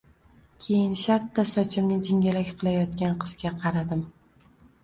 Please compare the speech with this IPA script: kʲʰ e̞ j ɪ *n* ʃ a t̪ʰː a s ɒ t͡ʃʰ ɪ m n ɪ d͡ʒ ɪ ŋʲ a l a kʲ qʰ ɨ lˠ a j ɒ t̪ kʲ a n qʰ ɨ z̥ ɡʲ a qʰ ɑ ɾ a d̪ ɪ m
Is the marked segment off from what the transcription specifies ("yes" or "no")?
no